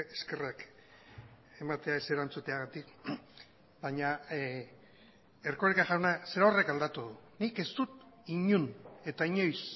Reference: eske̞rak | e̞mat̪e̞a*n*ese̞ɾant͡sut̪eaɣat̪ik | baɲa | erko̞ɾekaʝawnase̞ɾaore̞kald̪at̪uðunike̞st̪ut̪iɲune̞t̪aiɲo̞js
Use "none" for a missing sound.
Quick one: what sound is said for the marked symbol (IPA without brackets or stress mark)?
none